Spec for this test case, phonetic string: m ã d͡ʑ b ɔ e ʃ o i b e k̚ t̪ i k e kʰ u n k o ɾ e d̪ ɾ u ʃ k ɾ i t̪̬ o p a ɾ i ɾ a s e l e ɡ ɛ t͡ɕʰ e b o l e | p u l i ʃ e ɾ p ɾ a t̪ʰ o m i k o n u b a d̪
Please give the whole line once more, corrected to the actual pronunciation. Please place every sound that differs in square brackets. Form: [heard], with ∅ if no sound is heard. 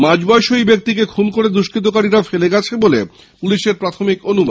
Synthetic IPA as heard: m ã d͡ʑ b ɔ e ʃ o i b e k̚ t̪ i k e kʰ u n k o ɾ e d̪ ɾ u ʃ k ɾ i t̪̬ o [k] a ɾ i ɾ a [f] e l e ɡ ɛ t͡ɕʰ e b o l e | p u l i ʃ e ɾ p ɾ a t̪ʰ o m i k o n u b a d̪